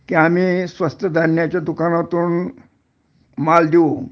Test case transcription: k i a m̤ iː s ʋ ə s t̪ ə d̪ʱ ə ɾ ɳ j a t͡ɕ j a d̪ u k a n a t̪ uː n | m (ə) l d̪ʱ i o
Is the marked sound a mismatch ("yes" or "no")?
yes